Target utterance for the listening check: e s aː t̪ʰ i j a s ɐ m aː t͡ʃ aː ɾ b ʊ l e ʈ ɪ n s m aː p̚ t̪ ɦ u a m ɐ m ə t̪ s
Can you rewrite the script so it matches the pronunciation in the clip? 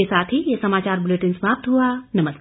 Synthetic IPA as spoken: e s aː t̪ʰ i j e s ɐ m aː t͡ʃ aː ɾ b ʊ l e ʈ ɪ n s m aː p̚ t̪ ɦ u a n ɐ m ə s